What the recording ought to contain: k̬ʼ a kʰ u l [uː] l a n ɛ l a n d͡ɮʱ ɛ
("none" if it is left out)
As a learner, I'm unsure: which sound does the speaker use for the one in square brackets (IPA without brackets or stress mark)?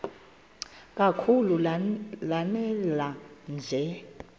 u